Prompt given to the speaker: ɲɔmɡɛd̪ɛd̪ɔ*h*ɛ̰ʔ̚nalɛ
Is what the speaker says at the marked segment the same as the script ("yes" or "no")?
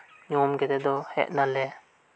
yes